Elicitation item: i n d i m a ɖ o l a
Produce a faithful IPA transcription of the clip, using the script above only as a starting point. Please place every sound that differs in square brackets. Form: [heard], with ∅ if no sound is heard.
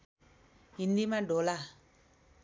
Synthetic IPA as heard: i n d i m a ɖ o l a